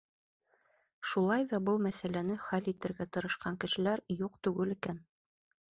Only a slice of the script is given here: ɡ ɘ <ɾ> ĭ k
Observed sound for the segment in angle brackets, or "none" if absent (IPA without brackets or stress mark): l